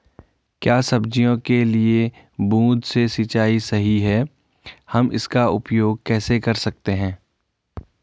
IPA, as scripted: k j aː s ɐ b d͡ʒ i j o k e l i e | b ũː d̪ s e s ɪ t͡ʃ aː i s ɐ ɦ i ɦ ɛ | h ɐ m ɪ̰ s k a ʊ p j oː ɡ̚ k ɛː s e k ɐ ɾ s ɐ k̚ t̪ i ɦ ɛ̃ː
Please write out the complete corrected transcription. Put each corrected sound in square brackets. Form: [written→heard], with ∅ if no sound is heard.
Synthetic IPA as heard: k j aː s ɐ b d͡ʒ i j [o→õ] k e l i e | b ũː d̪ s e s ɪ t͡ʃ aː i s ɐ ɦ i ɦ ɛ | h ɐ m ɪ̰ s k a ʊ p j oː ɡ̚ k ɛː s e k ɐ ɾ s ɐ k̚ t̪ [i→e] ɦ ɛ̃ː